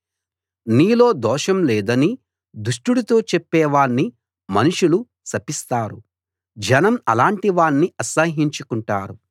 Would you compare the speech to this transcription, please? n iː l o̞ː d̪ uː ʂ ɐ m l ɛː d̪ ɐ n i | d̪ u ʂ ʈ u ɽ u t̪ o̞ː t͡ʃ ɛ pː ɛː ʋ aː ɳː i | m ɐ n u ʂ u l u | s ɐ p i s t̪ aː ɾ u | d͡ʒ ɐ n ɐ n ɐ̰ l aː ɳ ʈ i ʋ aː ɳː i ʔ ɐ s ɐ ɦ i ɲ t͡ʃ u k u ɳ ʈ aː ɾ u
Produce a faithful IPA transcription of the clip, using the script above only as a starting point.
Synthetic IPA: n iː l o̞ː d̪ ɔː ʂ ɐ m l ɛː d̪ ɐ n i | d̪ u ʂ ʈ u ɽ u t̪ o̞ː t͡ʃ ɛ pː ɛː ʋ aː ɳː i | m ɐ n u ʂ u l u | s ɐ p i s t̪ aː ɾ u | d͡ʒ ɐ n ɐ m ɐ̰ l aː ɳ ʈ i ʋ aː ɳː i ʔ ɐ s ɐ ɦ i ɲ t͡ʃ u k u ɳ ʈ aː ɾ u